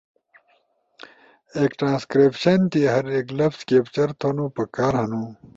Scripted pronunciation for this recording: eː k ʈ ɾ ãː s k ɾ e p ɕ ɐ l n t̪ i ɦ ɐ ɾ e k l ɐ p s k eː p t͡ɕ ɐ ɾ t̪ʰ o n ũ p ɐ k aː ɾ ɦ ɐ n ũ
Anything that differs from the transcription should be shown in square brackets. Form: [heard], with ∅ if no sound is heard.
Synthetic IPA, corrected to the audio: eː k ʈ ɾ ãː s k ɾ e p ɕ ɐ [∅] n t̪ i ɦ ɐ ɾ e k l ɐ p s k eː p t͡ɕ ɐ ɾ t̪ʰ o n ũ p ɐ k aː ɾ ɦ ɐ n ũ

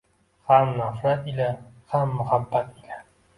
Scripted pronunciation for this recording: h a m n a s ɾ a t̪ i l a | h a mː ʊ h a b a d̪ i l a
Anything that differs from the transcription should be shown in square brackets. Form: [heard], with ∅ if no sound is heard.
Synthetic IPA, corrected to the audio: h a m n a [f] ɾ a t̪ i l a | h a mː ʊ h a [bː] a [t̪] i l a

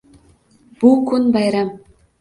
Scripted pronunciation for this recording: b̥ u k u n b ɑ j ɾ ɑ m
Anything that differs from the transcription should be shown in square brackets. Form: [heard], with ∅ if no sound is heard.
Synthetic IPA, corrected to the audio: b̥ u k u n b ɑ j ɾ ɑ m

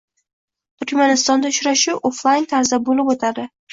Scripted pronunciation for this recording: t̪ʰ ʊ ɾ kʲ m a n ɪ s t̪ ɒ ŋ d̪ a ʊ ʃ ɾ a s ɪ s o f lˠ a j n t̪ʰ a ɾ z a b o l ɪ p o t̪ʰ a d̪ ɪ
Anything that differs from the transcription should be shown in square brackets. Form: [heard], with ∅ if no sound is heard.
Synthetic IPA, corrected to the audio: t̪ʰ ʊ ɾ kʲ m a n ɪ s t̪ ɒ [n] d̪ a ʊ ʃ ɾ a [ʃ] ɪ [∅] o f lˠ a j n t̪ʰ a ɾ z a b o l ɪ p o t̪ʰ a d̪ ɪ

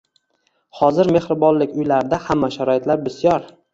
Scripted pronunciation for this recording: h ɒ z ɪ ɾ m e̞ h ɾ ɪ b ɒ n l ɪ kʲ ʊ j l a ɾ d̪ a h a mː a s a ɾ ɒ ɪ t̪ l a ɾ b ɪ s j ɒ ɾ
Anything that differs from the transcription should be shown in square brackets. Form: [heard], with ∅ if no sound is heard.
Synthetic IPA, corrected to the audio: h ɒ z ɪ ɾ m e̞ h ɾ ɪ b ɒ n l ɪ kʲ ʊ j l a ɾ d̪ a h a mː a [ʃ] a ɾ ɒ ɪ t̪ l a ɾ b ɪ s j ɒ ɾ

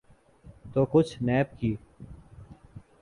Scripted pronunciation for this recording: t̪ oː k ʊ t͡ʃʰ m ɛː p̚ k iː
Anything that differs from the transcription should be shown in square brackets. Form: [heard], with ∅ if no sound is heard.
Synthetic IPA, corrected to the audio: t̪ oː k ʊ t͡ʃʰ [n] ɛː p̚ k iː

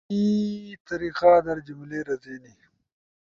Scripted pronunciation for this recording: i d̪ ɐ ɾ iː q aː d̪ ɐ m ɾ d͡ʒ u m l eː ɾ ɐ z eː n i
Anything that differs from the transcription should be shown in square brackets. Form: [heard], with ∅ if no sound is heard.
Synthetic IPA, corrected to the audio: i [t̪] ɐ ɾ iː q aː d̪ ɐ [∅] ɾ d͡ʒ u m l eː ɾ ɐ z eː n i

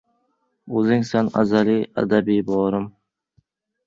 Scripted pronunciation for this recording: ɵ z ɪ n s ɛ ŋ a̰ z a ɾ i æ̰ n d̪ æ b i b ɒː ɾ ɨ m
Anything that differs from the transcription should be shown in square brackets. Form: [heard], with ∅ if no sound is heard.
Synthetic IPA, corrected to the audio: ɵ z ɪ [ŋ] s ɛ [n] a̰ z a [l] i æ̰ [∅] d̪ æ b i b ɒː ɾ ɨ m

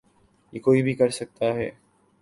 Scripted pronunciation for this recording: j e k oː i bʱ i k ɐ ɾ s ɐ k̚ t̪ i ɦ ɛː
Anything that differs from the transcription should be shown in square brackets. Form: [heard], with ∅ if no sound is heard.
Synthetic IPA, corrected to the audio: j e k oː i bʱ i k ɐ ɾ s ɐ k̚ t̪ [a] ɦ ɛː

